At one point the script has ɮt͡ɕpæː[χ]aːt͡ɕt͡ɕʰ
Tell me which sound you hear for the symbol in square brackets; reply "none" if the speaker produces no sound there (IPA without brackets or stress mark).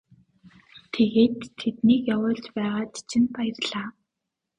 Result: ʁ